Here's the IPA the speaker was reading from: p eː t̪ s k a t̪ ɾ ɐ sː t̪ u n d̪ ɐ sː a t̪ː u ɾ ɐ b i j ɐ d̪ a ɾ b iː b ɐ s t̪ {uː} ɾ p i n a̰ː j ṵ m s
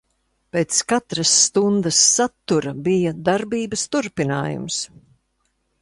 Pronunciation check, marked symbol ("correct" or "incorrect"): incorrect